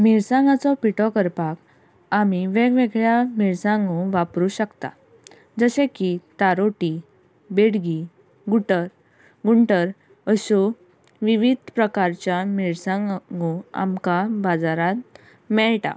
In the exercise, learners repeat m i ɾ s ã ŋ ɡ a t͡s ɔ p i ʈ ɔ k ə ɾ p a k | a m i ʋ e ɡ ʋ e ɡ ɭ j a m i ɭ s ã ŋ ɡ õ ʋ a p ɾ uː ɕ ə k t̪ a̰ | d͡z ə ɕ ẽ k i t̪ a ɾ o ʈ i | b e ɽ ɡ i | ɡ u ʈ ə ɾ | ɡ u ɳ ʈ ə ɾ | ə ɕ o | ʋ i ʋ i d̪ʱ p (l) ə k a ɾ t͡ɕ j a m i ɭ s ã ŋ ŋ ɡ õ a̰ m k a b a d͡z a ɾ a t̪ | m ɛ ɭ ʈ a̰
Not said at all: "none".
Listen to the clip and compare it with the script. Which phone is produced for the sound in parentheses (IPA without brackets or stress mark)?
ɾ